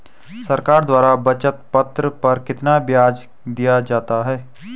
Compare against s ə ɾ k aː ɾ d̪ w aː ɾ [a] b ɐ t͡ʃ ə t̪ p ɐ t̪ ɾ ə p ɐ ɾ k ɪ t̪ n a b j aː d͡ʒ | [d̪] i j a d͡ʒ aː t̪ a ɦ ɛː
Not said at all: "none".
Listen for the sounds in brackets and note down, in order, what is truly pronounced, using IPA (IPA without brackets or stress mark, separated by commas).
a, d̪